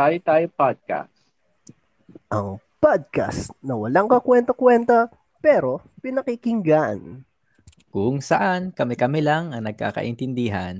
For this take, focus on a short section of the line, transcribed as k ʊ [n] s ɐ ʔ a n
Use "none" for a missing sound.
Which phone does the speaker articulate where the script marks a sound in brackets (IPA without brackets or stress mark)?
ŋ